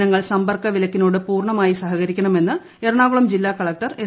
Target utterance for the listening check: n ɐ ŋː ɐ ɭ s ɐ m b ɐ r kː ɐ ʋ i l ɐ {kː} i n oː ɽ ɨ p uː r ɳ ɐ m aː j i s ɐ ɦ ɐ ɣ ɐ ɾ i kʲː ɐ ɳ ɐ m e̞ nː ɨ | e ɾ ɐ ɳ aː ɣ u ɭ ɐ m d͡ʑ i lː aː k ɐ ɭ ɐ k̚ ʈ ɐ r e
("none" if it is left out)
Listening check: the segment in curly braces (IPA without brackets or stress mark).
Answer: kː